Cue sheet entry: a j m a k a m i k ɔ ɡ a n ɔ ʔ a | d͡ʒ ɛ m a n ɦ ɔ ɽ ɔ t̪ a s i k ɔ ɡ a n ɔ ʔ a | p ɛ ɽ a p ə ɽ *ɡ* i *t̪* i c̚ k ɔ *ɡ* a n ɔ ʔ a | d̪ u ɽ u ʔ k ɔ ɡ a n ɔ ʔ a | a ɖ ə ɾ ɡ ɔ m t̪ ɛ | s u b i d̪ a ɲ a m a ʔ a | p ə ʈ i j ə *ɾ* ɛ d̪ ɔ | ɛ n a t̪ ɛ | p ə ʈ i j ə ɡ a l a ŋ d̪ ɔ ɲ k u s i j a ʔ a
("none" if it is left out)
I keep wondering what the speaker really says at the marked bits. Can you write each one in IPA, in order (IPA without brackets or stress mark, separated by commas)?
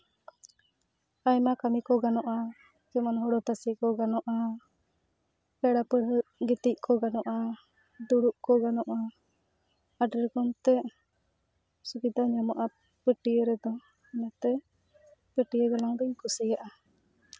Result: ɡ, t̪, ɡ, ɾ